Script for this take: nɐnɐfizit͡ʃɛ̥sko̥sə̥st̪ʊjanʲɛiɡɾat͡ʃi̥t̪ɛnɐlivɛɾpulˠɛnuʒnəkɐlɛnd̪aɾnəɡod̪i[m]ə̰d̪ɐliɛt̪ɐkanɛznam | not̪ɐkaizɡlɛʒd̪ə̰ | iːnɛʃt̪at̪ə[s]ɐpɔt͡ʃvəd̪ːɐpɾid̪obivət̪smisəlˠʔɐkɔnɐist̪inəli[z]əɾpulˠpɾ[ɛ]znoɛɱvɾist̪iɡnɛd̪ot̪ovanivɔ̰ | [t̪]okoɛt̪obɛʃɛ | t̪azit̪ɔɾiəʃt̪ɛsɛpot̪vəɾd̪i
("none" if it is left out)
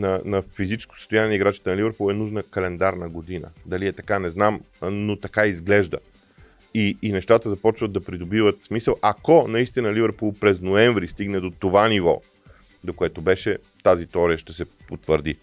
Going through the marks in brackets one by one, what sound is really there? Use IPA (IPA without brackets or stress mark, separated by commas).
n, z, v, ɛ, d̪